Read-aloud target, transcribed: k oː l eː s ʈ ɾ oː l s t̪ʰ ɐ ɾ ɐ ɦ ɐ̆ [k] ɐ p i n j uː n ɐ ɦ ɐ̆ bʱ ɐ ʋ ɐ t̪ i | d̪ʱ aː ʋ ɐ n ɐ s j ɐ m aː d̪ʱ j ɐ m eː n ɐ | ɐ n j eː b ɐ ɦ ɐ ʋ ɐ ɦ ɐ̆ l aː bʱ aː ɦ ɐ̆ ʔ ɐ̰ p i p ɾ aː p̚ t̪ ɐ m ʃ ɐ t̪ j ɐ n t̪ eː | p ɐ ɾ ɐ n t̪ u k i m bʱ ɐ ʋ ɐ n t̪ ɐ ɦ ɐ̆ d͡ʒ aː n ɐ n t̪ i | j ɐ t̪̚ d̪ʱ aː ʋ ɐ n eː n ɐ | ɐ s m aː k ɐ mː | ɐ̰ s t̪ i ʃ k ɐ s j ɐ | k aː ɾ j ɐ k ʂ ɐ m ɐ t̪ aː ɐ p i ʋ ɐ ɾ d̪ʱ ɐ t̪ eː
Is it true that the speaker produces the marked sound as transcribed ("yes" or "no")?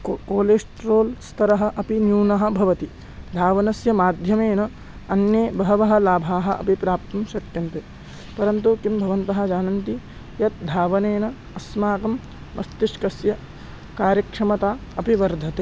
no